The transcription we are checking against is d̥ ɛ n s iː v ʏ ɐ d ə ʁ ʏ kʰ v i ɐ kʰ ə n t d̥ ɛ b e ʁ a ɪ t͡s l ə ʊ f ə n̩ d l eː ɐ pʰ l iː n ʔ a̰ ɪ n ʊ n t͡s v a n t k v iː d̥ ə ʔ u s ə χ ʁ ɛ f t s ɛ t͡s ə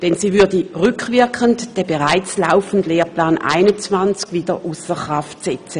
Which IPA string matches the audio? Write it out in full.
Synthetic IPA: d̥ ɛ n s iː v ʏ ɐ d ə ʁ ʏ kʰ v ɪ ɐ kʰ ə n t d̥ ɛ b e ʁ a ɪ t͡s l a ʊ f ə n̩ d l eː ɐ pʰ l aː n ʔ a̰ ɪ n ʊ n t͡s v a n t͡s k v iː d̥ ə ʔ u s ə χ ʁ a f t s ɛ t͡s ə